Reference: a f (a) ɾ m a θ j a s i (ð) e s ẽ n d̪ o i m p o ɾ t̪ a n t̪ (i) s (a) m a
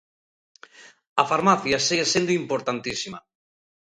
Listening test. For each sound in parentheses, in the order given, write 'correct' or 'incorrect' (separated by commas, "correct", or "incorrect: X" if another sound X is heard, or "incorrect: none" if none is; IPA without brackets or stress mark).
correct, incorrect: ɣ, correct, incorrect: i